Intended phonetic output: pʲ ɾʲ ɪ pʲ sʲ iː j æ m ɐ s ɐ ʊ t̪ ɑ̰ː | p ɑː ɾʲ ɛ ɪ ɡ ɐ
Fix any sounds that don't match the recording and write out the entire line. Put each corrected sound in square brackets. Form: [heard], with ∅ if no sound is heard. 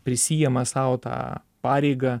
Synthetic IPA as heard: pʲ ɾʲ ɪ [∅] sʲ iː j [ɛ] m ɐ s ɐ ʊ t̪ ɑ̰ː | p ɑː ɾʲ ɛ ɪ ɡ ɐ